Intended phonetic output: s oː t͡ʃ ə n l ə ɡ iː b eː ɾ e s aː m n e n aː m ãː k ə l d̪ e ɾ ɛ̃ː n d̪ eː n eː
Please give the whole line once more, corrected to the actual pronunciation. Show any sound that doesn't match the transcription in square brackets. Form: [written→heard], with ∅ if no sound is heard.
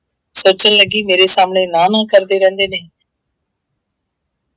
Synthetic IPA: s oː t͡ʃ ə n l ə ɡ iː [b→m] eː ɾ e s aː m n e n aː [m→n] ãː k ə [l→ɾ] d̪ e ɾ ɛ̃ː n d̪ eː n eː